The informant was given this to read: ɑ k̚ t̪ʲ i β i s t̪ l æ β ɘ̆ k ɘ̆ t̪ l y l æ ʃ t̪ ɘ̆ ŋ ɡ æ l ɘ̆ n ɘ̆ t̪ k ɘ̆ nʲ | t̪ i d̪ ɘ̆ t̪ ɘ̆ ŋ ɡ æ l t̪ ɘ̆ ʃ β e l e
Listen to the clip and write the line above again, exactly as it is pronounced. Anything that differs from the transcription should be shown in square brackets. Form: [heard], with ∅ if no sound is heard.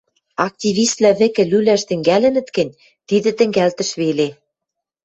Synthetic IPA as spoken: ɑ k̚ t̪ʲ i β i s t̪ l æ β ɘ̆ k ɘ̆ [∅] l y l æ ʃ t̪ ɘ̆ ŋ ɡ æ l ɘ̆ n ɘ̆ t̪ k ɘ̆ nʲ | t̪ i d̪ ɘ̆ t̪ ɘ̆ ŋ ɡ æ l t̪ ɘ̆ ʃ β e l e